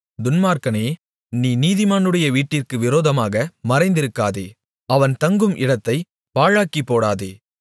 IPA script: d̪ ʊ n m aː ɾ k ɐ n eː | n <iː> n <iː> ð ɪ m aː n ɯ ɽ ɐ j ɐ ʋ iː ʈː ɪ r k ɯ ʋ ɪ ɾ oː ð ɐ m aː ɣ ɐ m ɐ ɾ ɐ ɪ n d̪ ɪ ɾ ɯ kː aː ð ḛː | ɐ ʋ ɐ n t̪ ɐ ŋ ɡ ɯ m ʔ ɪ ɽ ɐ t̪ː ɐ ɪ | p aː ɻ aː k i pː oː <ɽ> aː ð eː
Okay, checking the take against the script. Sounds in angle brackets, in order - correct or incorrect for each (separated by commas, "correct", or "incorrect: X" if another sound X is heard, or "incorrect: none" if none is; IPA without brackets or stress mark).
correct, correct, correct